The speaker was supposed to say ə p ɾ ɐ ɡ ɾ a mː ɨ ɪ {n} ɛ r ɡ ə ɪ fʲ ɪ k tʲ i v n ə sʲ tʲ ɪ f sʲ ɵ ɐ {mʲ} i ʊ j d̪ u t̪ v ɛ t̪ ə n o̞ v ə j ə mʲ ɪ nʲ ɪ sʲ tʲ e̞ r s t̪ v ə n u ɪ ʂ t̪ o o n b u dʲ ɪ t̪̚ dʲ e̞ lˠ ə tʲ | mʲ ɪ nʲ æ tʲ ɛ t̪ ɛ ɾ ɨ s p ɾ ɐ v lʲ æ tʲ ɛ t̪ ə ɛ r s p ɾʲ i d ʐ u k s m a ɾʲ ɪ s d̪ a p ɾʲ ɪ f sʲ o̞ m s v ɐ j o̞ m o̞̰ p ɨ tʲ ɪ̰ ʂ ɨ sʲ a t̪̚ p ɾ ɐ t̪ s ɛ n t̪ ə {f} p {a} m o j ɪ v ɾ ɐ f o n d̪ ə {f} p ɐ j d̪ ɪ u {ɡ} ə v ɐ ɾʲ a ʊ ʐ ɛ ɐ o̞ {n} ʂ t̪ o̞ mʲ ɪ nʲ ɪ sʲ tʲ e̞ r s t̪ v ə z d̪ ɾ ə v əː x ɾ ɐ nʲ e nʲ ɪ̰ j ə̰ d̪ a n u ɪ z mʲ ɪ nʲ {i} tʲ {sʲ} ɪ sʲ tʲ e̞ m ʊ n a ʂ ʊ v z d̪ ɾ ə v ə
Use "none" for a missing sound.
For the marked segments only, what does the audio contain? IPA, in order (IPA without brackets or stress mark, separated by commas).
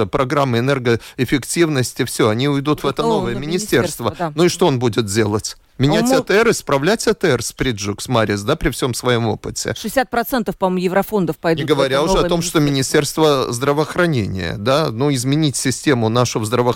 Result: n, nʲ, f, ɐ, f, ɡ, m, i, sʲ